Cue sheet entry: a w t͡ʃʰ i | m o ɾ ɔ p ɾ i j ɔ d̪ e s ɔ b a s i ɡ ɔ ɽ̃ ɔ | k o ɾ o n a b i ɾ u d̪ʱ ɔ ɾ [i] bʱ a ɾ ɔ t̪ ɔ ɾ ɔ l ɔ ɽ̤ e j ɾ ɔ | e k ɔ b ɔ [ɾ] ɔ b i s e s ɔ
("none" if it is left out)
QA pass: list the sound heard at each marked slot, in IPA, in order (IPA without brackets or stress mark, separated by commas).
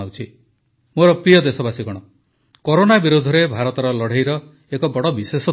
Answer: e, ɽ